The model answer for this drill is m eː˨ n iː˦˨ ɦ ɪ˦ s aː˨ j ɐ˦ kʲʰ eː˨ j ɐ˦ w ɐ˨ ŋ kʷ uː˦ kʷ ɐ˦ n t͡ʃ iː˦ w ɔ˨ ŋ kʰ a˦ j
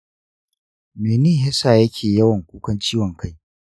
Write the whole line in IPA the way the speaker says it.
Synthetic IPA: m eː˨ n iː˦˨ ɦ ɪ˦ s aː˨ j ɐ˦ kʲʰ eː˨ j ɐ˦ w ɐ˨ ŋ kʷ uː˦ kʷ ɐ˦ n t͡ʃ iː˦ w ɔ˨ ŋ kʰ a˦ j